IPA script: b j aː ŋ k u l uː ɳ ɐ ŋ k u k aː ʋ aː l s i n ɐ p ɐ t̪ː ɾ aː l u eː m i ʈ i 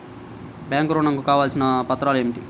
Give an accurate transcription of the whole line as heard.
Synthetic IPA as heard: b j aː ŋ k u ɾ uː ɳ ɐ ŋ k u k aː ʋ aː l s i n ɐ p ɐ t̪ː ɾ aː l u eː m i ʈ i

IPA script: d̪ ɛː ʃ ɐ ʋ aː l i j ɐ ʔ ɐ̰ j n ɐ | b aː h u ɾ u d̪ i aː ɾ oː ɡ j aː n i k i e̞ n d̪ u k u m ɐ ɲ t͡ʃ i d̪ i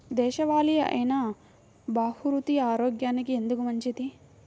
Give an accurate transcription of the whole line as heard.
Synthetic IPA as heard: d̪ ɛː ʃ ɐ ʋ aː l i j ɐ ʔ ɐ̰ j n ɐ | b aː h u ɾ u t̪ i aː ɾ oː ɡ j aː n i k i e̞ n d̪ u k u m ɐ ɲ t͡ʃ i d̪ i

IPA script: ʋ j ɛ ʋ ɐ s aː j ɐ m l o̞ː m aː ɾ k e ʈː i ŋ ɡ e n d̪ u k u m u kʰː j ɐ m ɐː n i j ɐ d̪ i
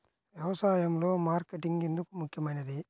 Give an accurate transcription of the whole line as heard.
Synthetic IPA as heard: ʋ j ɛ ʋ ɐ s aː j ɐ m l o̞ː m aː ɾ k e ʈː i ŋ ɡ e n d̪ u k u m u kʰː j ɐ m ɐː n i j ɐ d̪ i

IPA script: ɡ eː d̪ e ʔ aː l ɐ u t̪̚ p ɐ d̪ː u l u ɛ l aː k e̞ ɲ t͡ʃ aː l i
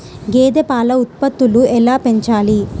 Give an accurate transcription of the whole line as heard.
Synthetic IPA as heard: ɡ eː d̪ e p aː l ɐ u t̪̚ p ɐ t̪ː u l u ɛ l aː p e̞ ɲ t͡ʃ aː l i

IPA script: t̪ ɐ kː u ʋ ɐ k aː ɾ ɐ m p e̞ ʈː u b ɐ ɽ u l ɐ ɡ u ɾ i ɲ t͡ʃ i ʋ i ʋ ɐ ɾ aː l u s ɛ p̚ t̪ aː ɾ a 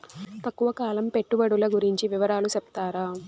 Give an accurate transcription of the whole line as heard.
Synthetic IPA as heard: t̪ ɐ kː u ʋ ɐ k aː l ɐ m p e̞ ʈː u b ɐ ɽ u l ɐ ɡ u ɾ i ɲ t͡ʃ i ʋ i ʋ ɐ ɾ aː l u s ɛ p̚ t̪ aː ɾ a

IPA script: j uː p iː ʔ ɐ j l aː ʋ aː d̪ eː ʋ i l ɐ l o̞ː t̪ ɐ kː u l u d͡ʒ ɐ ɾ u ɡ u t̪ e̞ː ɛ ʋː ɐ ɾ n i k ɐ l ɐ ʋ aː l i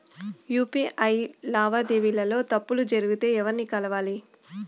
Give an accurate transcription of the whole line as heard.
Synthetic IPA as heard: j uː p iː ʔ ɐ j l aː ʋ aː d̪ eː ʋ i l ɐ l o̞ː t̪ ɐ pː u l u d͡ʒ ɐ ɾ u ɡ u t̪ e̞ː ɛ ʋ ɐ ɾ n i k ɐ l ɐ ʋ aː l i

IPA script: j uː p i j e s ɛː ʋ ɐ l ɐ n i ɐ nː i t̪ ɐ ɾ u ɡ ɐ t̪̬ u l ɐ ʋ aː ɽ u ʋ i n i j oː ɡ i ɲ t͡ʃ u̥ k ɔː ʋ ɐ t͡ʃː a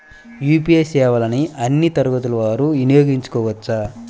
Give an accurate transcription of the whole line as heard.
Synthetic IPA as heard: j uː p i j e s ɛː ʋ ɐ l ɐ n i ɐ nː i t̪ ɐ ɾ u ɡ ɐ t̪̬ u l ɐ ʋ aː ɾ u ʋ i n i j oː ɡ i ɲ t͡ʃ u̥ k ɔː ʋ ɐ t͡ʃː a

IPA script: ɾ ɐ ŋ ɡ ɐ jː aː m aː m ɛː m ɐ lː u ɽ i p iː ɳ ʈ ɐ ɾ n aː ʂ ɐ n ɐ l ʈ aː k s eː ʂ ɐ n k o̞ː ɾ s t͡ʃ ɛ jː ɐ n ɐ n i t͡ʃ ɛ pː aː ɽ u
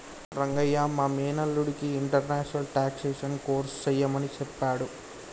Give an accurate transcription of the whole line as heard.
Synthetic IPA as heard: ɾ ɐ ŋ ɡ ɐ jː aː m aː m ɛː n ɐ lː u ɽ i k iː ɳ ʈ ɐ ɾ n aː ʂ ɐ n ɐ l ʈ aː k s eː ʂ ɐ n k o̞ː ɾ s t͡ʃ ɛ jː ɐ m ɐ n i t͡ʃ ɛ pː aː ɽ u

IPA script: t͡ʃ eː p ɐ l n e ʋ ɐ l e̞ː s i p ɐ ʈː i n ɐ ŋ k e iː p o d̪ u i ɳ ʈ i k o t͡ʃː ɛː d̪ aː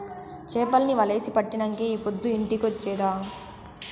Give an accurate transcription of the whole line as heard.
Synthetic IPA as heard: t͡ʃ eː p ɐ l n i ʋ ɐ l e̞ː s i p ɐ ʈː i n ɐ ŋ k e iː p o d̪ː u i ɳ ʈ i k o t͡ʃː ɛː d̪ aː

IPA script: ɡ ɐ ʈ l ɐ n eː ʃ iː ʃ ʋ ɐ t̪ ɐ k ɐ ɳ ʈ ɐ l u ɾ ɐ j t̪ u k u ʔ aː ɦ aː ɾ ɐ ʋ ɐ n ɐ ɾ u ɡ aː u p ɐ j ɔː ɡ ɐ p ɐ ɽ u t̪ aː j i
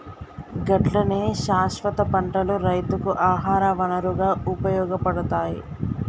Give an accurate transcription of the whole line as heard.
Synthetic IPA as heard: ɡ ɐ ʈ l ɐ n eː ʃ aː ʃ ʋ ɐ t̪ ɐ p ɐ ɳ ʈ ɐ l u ɾ ɐ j t̪ u k u ʔ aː ɦ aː ɾ ɐ ʋ ɐ n ɐ ɾ u ɡ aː u p ɐ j ɔː ɡ ɐ p ɐ ɽ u t̪ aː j i

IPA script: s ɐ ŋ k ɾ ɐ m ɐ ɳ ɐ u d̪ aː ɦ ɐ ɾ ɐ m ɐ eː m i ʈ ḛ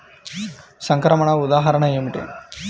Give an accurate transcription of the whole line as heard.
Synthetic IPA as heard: s ɐ ŋ k ɾ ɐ m ɐ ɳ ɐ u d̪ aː ɦ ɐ ɾ ɐ ɳ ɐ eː m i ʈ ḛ

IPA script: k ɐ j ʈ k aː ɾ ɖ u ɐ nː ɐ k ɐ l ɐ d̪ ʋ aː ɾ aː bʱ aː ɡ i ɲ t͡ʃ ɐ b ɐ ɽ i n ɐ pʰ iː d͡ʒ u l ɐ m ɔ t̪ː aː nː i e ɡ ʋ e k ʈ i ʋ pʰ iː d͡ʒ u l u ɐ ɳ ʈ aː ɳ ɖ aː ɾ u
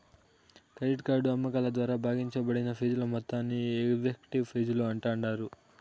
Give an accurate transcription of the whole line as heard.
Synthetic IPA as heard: k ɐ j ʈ k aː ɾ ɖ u ɐ mː ɐ k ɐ l ɐ d̪ ʋ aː ɾ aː bʱ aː ɡ i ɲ t͡ʃ ɐ b ɐ ɽ i n ɐ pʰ iː d͡ʒ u l ɐ m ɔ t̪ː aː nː i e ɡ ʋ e k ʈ i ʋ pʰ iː d͡ʒ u l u ɐ ɳ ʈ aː ɳ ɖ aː ɾ u

